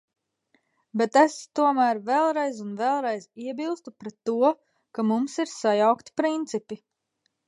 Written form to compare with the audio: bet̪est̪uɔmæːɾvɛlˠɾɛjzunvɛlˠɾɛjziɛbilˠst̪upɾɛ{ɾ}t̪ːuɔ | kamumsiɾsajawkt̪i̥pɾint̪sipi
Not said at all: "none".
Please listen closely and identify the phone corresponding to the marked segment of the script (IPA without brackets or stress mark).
none